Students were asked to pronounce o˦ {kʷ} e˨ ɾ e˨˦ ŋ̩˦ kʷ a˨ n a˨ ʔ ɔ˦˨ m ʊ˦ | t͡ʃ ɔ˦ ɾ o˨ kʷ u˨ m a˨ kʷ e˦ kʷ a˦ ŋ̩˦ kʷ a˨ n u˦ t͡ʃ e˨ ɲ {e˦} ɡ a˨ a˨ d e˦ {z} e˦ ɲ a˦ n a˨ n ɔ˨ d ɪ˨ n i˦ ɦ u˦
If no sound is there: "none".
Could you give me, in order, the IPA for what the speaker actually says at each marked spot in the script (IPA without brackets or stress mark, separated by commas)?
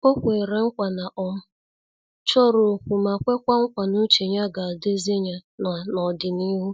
kʷ, a˦, z